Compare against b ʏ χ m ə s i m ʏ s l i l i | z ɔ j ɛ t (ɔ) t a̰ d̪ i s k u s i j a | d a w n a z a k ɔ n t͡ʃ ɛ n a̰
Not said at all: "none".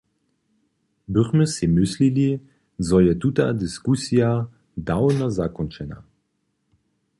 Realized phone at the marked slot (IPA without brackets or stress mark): u